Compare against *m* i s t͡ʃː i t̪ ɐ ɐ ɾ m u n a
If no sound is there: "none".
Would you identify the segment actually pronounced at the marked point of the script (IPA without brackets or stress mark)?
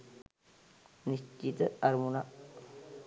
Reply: n